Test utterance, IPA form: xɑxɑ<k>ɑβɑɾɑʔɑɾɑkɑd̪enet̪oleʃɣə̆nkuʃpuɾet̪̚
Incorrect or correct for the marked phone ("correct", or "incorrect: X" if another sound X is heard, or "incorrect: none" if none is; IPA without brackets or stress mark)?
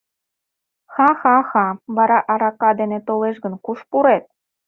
incorrect: x